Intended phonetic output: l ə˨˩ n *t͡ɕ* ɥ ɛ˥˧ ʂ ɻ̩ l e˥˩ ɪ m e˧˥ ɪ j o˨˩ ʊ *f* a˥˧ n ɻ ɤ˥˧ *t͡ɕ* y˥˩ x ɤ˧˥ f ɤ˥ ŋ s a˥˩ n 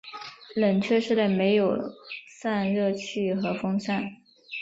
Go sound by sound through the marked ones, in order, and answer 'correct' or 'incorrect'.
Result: incorrect: t͡ɕʰ, incorrect: s, incorrect: t͡ɕʰ

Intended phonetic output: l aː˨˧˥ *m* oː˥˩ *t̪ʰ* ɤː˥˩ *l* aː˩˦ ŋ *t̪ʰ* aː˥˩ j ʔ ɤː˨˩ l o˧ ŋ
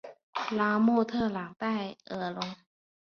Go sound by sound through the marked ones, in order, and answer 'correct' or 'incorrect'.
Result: correct, correct, correct, incorrect: t̪

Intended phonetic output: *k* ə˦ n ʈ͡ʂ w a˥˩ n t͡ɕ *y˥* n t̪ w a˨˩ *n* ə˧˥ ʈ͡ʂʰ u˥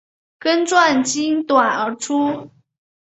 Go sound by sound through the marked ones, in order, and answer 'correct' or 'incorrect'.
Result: correct, incorrect: i˥, correct

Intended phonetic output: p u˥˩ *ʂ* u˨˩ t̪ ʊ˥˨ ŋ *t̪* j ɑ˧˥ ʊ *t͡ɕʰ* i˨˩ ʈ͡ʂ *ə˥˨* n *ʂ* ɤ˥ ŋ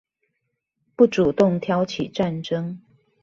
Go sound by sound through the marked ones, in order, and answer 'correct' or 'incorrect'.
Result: incorrect: ʈ͡ʂ, incorrect: t̪ʰ, correct, incorrect: a˥˨, incorrect: ʈ͡ʂ

